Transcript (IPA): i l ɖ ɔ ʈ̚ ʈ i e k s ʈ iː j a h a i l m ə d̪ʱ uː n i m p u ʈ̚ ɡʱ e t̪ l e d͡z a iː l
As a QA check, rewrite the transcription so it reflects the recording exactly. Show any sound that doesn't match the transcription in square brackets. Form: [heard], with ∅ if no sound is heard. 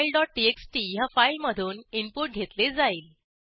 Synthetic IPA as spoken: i l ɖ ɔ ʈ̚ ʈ i e k s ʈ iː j a [f] a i l m ə d̪ʱ uː n i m p u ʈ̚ ɡʱ e t̪ l e d͡z a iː l